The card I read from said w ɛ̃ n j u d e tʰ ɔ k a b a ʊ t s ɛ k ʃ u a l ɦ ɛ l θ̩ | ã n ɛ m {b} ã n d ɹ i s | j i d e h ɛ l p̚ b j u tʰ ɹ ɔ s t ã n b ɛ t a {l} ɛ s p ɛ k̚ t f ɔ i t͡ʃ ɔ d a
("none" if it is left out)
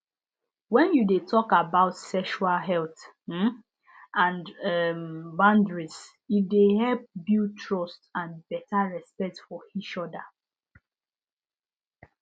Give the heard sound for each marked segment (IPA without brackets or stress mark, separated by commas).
b, ɹ